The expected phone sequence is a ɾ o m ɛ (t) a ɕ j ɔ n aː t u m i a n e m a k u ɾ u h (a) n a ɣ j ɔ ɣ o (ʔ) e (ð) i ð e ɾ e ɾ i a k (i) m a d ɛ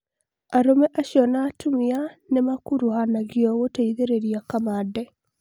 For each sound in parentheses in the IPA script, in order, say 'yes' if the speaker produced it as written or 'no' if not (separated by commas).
no, yes, no, no, no